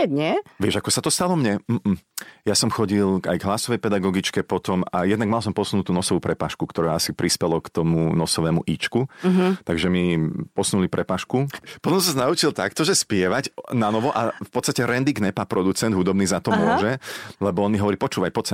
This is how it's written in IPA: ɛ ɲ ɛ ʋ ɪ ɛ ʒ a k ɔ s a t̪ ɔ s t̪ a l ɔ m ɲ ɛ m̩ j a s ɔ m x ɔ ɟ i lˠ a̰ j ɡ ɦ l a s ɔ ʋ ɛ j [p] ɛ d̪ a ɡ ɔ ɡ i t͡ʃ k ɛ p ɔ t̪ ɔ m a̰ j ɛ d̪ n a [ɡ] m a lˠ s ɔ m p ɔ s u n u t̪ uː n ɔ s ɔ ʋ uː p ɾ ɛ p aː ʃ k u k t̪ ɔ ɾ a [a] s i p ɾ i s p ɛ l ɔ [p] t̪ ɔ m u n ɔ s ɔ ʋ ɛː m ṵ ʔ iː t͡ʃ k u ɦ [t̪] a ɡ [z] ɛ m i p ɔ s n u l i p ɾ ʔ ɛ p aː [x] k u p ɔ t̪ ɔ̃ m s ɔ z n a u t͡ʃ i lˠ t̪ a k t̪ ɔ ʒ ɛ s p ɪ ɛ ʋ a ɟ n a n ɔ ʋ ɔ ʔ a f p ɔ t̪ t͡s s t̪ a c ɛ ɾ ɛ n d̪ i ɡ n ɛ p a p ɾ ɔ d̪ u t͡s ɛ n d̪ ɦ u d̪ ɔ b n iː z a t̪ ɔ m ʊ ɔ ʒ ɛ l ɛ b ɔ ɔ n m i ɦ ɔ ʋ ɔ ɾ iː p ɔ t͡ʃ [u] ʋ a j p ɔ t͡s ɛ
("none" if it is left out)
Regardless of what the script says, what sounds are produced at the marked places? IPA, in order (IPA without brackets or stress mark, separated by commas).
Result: p, ɡ, a, k, t̪, ʒ, ʃ, uː